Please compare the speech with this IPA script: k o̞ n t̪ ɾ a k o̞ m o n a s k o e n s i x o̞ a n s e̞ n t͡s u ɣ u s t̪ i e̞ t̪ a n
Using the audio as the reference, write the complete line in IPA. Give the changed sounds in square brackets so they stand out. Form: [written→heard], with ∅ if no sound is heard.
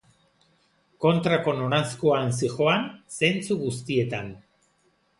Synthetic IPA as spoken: k o̞ n t̪ ɾ a k o̞ [m→n] o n a s k o [e→a] n s i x o̞ a n s e̞ n t͡s u ɣ u s t̪ i e̞ t̪ a n